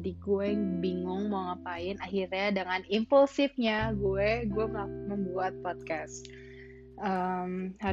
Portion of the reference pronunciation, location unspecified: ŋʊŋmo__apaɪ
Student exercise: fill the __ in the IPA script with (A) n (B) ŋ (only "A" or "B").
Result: B